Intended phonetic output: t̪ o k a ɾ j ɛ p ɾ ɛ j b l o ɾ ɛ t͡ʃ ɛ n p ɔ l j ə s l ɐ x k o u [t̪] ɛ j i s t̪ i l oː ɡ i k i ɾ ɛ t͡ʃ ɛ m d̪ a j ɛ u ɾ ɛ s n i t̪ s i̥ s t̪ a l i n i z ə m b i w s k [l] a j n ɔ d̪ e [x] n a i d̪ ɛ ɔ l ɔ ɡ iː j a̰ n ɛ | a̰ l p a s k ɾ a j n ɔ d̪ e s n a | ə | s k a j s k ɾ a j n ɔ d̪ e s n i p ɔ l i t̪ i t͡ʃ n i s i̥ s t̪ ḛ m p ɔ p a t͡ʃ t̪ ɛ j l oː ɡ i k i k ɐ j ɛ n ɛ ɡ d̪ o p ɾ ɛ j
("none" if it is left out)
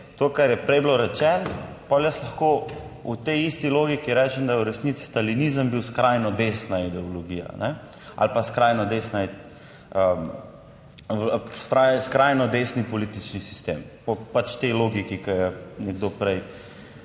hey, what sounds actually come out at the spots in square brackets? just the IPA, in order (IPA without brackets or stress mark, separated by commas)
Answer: t̪, ɾ, s